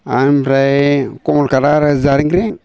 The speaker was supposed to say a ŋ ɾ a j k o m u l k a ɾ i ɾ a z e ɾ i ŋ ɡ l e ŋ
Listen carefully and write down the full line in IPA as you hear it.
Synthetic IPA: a m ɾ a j k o m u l k a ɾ a ɾ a z a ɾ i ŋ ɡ ɾ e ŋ